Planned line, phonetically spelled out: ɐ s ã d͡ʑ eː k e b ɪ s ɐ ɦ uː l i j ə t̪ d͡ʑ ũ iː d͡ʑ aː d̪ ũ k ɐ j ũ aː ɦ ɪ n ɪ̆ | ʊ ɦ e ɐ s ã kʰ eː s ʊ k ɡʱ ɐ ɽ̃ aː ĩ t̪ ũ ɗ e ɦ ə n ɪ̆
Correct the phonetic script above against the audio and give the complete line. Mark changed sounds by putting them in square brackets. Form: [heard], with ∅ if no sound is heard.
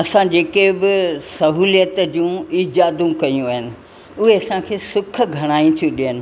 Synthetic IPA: ɐ s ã d͡ʑ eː k e b ɪ s ɐ ɦ uː l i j ə t̪ d͡ʑ ũ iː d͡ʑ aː d̪ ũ k ɐ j ũ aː ɦ ɪ n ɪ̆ | ʊ ɦ e ɐ s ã kʰ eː s ʊ [kʰ] ɡʱ ɐ ɽ̃ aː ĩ [t̪ʰ] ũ ɗ [i] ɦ ə n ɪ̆